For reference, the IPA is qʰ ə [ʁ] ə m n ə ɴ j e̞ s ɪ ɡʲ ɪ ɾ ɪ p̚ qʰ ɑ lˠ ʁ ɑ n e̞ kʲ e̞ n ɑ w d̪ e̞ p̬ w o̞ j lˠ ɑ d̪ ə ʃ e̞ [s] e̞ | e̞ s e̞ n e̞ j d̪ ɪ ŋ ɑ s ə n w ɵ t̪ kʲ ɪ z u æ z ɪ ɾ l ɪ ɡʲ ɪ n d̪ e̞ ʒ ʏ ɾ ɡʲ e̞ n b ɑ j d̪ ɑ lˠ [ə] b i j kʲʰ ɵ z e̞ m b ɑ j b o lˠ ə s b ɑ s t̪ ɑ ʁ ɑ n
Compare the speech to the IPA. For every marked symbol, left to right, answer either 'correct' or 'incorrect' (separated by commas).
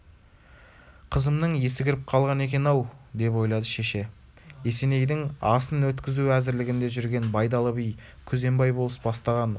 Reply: incorrect, incorrect, correct